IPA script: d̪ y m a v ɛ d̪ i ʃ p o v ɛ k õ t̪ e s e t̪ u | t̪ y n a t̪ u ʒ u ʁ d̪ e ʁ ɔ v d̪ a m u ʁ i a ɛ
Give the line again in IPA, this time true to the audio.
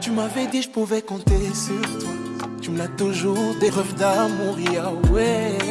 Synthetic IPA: t̪ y m a v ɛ d̪ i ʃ p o v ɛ k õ t̪ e s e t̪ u | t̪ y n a t̪ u ʒ u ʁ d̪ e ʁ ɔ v d̪ a m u ʁ i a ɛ

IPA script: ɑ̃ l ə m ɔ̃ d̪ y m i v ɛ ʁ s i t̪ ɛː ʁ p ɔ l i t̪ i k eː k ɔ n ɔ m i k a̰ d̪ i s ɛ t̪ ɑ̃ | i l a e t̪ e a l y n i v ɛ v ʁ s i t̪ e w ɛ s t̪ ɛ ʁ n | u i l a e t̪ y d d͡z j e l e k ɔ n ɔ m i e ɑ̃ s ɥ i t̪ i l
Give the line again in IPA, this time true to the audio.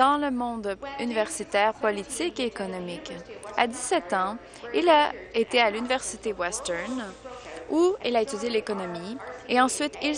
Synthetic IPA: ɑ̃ l ə m ɔ̃ d̪ y n i v ɛ ʁ s i t̪ ɛː ʁ p ɔ l i t̪ i k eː k ɔ n ɔ m i k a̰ d̪ i s ɛ t̪ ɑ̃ | i l a e t̪ e a l y n i v ɛ ʁ s i t̪ e w ɛ s t̪ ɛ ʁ n | u i l a e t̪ y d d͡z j e l e k ɔ n ɔ m i e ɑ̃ s ɥ i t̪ i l

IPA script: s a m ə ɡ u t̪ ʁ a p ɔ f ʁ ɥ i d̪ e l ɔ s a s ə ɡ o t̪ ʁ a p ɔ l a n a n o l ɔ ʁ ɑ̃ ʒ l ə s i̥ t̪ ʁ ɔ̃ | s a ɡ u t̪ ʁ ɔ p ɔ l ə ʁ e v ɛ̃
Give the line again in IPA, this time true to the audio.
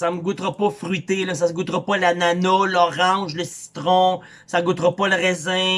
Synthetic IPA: s a m ə ɡ u t̪ ʁ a p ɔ f ʁ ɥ i t̪ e l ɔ s a s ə ɡ u t̪ ʁ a p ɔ l a n a n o l ɔ ʁ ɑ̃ ʒ l ə s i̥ t̪ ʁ ɔ̃ | s a ɡ u t̪ ʁ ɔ p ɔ l ə ʁ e z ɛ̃

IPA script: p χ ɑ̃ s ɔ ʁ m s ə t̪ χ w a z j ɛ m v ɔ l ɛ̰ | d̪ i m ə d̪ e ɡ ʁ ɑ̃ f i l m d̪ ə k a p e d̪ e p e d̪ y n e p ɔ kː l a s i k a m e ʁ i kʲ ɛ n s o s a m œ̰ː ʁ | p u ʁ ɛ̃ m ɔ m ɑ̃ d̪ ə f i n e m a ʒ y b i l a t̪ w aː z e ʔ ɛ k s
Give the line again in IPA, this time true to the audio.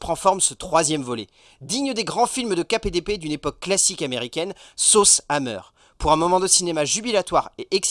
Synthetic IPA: p χ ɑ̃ f ɔ ʁ m s ə t̪ χ w a z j ɛ m v ɔ l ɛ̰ | d̪ i ɲ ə d̪ e ɡ ʁ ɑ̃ f i l m d̪ ə k a p e d̪ e p e d̪ y n e p ɔ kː l a s i k a m e ʁ i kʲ ɛ n s o s a m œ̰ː ʁ | p u ʁ ɛ̃ m ɔ m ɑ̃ d̪ ə s i n e m a ʒ y b i l a t̪ w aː ʁ e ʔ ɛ k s

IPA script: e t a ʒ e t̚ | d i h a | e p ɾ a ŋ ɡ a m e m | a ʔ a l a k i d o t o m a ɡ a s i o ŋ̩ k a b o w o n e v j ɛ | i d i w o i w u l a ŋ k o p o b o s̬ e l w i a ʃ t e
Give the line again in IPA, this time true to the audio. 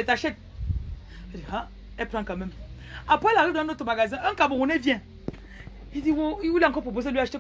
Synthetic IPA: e t a ʃ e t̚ | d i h a | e p ɾ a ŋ k a m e m | a p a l a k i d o t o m a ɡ a z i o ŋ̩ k a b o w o n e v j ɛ | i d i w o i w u l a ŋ k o p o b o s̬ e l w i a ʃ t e

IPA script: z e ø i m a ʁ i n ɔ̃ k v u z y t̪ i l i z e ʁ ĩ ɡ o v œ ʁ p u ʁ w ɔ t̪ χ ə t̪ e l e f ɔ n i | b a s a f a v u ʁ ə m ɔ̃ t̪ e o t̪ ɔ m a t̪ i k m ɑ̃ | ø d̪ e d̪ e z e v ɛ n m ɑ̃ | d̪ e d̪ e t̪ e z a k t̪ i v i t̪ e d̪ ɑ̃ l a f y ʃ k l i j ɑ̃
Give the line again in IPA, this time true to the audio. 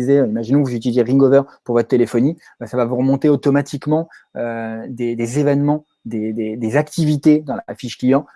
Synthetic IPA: z e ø i m a ʒ i n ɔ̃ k v u z y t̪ i l i z e ʁ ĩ ɡ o v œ ʁ p u ʁ v ɔ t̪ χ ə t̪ e l e f ɔ n i | b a s a v a v u ʁ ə m ɔ̃ t̪ e o t̪ ɔ m a t̪ i k m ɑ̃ | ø d̪ e d̪ e z e v ɛ n m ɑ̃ | d̪ e d̪ e d̪ e z a k t̪ i v i t̪ e d̪ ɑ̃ l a f i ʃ k l i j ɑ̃

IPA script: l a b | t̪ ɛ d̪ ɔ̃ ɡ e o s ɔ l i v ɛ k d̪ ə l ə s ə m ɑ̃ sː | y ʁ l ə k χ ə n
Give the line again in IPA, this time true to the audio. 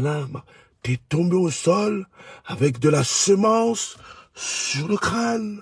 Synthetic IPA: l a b | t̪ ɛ t̪ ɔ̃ b e o s ɔ l a v ɛ k d̪ ə l a s ə m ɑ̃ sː | y ʁ l ə k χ a n

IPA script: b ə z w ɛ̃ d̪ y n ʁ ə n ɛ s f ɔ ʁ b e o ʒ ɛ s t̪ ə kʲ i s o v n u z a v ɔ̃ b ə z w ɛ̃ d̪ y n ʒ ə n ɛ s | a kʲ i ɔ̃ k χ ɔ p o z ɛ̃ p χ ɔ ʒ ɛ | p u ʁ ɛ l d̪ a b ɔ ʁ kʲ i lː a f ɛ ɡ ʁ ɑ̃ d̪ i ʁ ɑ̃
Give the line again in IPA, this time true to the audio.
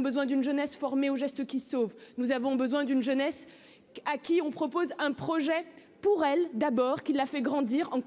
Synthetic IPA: b ə z w ɛ̃ d̪ y n ʒ ə n ɛ s f ɔ ʁ m e o ʒ ɛ s t̪ ə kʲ i s o v n u z a v ɔ̃ b ə z w ɛ̃ d̪ y n ʒ ə n ɛ s | a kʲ i ɔ̃ p χ ɔ p o z ɛ̃ p χ ɔ ʒ ɛ | p u ʁ ɛ l d̪ a b ɔ ʁ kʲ i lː a f ɛ ɡ ʁ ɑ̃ d̪ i ʁ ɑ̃

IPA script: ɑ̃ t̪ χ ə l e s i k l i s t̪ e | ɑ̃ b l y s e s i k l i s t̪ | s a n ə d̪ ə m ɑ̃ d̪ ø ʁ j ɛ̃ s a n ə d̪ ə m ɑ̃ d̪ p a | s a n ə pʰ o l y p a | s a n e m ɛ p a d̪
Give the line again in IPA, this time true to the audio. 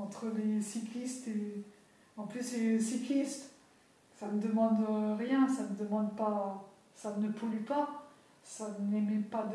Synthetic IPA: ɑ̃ t̪ χ ə l e s i k l i s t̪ e | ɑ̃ p l y s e s i k l i s t̪ | s a n ə d̪ ə m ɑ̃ d̪ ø ʁ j ɛ̃ s a n ə d̪ ə m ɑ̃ d̪ p a | s a n ə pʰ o l y p a | s a n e m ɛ p a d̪

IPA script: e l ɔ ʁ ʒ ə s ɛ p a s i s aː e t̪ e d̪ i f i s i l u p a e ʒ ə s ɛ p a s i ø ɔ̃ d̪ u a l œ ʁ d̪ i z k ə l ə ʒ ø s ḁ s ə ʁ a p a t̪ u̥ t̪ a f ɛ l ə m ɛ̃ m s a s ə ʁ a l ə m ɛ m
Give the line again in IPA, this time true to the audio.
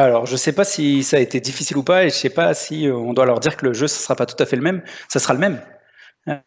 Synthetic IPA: a l ɔ ʁ ʒ ə s ɛ p a s i s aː e t̪ e d̪ i f i s i l u p a e ʒ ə s ɛ p a s i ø ɔ̃ d̪ w a l œ ʁ d̪ i ʁ k ə l ə ʒ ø s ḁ s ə ʁ a p a t̪ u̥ t̪ a f ɛ l ə m ɛ m s a s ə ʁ a l ə m ɛ m

